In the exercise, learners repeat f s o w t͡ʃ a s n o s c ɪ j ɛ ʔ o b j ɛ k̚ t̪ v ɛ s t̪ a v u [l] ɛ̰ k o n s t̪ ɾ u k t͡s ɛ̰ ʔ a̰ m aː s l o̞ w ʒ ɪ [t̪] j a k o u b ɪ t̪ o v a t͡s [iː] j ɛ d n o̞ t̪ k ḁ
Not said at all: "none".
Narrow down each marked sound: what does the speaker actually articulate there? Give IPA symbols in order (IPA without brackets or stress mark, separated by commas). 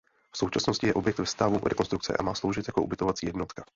ɾ, t̪, iː